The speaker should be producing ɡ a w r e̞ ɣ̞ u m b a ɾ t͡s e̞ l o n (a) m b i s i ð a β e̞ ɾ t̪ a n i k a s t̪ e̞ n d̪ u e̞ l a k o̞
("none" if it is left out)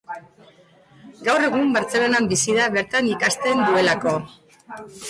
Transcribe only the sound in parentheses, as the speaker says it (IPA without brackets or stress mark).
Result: a